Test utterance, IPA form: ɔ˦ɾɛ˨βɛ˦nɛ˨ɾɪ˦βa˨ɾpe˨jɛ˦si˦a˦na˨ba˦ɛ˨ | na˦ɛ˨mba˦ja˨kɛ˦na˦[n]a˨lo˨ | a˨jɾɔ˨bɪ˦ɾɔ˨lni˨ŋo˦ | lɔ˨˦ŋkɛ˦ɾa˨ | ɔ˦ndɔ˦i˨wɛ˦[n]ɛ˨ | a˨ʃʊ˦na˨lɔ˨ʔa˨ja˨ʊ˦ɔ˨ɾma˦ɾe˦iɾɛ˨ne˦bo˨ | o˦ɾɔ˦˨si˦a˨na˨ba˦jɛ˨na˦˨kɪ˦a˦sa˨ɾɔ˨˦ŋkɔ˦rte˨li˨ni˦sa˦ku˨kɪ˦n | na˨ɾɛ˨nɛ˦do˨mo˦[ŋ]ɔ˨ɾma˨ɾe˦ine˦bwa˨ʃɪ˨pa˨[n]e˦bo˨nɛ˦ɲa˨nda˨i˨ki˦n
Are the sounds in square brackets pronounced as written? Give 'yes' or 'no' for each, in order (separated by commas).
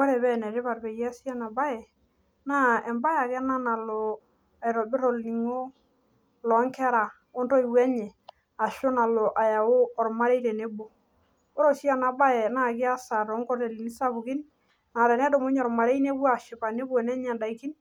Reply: yes, no, no, yes